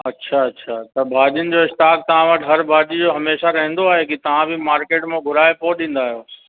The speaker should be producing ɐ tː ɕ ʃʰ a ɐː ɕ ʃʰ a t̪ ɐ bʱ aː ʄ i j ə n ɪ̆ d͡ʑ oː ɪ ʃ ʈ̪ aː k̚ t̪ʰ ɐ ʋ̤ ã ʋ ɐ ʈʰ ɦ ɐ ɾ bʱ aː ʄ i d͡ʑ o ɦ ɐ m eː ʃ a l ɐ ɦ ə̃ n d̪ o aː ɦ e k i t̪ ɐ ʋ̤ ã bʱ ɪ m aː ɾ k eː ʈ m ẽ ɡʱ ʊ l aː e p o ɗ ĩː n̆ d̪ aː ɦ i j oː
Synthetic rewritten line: ɐ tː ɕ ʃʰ a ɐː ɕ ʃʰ a t̪ ɐ bʱ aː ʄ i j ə n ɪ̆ d͡ʑ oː ɪ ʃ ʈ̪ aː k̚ t̪ ɐ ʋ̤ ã ʋ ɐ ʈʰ ɦ ɐ ɾ bʱ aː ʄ i d͡ʑ o ɦ ɐ m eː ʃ a ɾ ɐ ɦ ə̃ n d̪ o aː ɦ e k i t̪ ɐ ʋ̤ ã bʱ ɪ m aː ɾ k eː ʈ m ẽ ɡʱ ʊ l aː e p o ɗ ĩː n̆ d̪ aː ɦ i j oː